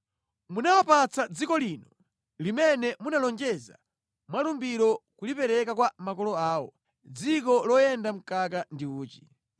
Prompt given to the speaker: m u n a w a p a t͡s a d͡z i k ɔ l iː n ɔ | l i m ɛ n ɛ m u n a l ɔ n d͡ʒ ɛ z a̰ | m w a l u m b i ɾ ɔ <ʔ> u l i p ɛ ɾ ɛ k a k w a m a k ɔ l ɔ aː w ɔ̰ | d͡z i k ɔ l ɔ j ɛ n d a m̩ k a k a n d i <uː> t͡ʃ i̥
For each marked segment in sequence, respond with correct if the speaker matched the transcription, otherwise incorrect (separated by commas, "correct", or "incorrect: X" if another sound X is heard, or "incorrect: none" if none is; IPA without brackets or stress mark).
incorrect: k, correct